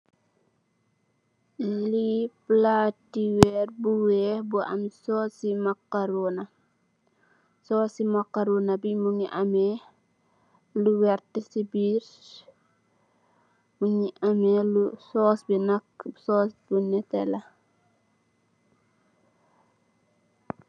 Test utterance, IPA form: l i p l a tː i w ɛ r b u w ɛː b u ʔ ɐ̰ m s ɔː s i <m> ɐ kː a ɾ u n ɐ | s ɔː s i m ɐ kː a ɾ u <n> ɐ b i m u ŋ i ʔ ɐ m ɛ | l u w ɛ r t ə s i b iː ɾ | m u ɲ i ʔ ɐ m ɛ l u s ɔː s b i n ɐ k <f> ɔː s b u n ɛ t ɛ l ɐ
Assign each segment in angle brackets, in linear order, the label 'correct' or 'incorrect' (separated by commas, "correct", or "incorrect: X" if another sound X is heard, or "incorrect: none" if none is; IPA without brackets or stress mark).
correct, correct, incorrect: s